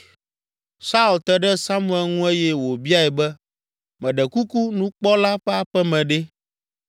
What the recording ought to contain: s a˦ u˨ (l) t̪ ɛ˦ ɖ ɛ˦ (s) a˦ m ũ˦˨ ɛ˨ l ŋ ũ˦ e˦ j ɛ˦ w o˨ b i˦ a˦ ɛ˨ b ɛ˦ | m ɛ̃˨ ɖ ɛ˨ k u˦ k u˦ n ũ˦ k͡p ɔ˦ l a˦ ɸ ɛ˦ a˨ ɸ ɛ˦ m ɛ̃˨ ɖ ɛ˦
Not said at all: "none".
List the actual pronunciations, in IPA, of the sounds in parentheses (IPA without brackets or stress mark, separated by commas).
l, s